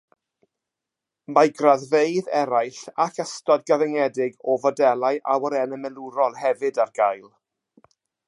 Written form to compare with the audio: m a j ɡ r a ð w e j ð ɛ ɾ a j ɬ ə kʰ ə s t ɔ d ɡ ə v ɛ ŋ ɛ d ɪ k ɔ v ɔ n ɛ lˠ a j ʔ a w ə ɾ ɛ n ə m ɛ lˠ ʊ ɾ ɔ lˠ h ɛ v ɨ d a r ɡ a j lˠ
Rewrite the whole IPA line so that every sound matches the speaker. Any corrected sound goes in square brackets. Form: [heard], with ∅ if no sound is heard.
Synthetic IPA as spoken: m a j ɡ r a ð [v] e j ð ɛ ɾ a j ɬ [a] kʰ ə s t ɔ d ɡ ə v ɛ ŋ ɛ d ɪ [ɡ] ɔ v ɔ [d] ɛ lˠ a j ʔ a w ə ɾ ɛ n ə m ɛ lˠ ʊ ɾ ɔ lˠ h ɛ v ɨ d a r ɡ a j lˠ